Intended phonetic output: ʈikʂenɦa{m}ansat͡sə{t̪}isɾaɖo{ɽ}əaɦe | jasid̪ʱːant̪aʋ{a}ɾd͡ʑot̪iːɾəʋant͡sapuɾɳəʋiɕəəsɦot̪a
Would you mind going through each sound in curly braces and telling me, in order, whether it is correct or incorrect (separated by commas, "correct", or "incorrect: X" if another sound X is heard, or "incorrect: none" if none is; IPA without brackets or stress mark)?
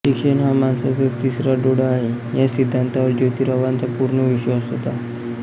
correct, correct, correct, incorrect: ə